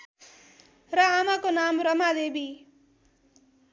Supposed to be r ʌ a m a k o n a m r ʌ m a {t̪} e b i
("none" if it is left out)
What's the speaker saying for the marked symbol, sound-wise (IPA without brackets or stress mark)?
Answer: d̪